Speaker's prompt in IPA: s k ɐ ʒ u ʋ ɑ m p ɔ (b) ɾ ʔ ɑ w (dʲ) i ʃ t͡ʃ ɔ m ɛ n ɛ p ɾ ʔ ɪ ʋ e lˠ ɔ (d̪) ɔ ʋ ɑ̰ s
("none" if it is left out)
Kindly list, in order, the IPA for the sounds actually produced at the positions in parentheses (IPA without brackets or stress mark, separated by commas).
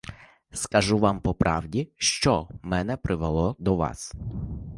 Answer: p, dʲ, d̪